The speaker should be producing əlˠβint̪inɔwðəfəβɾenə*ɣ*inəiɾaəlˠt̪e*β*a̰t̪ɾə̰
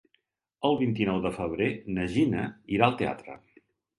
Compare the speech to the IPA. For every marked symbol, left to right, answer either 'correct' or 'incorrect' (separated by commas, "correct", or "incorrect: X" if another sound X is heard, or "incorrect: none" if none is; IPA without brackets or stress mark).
incorrect: ʒ, incorrect: none